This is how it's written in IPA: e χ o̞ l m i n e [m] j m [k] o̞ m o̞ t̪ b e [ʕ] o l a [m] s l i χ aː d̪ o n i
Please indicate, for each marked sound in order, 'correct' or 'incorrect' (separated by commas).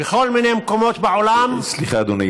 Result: incorrect, correct, correct, correct